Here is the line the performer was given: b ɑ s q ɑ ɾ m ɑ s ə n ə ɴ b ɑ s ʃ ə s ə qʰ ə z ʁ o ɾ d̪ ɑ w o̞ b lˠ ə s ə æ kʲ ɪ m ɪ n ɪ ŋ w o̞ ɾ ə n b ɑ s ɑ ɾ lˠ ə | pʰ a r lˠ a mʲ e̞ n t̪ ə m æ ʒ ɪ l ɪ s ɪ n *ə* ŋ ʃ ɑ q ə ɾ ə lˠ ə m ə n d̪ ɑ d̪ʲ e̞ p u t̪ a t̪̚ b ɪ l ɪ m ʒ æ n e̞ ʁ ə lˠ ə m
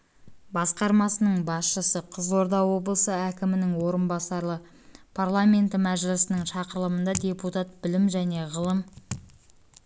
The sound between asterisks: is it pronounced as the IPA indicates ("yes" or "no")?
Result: yes